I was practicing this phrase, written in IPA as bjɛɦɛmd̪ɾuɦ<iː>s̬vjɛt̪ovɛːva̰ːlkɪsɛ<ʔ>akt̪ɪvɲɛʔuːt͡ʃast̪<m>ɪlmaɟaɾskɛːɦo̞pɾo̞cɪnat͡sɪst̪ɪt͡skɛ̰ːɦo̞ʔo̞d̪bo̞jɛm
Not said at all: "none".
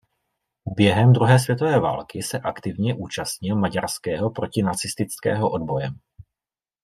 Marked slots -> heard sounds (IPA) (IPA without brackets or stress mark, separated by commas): ɛː, ʔ, ɲ